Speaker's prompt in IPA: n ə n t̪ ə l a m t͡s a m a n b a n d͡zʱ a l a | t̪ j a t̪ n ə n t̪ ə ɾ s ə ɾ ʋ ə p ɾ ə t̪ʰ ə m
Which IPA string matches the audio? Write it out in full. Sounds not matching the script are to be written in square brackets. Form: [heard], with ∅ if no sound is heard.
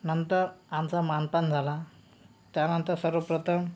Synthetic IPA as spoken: n ə n t̪ ə [ɾ] a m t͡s a m a n [p] a n d͡zʱ a l a | t̪ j a [∅] n ə n t̪ ə ɾ s ə ɾ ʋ ə p ɾ ə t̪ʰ ə m